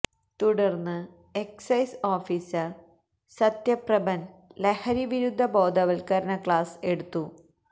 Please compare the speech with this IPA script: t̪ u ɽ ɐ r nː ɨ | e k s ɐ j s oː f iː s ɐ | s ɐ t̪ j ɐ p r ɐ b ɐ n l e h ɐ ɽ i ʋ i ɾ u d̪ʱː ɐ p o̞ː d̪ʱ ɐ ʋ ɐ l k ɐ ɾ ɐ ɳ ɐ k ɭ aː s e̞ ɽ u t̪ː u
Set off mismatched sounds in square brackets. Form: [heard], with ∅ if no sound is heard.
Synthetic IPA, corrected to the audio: t̪ u ɽ ɐ r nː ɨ | e k s ɐ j s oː f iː s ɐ | s ɐ t̪ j ɐ p r ɐ b ɐ n l e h ɐ [ɾ] i ʋ i ɾ u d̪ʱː ɐ [b] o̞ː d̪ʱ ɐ ʋ ɐ l k ɐ ɾ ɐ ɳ ɐ k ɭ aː s e̞ ɽ u t̪ː u